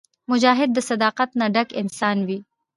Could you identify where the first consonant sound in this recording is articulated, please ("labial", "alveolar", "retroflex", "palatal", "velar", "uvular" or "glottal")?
labial